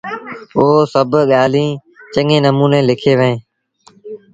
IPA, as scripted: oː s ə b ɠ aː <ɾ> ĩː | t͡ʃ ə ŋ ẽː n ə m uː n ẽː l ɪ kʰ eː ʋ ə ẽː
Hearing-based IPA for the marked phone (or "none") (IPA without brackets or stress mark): l